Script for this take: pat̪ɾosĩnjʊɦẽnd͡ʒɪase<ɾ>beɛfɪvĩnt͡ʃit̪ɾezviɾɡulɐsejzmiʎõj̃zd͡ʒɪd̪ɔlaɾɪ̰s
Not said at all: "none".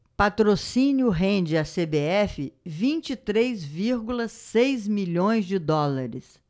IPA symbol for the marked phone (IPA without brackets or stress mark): none